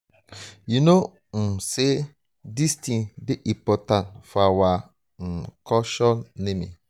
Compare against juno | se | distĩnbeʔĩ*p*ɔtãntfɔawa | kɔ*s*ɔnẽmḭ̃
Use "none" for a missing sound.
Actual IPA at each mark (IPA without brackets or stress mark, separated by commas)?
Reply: p, ʃ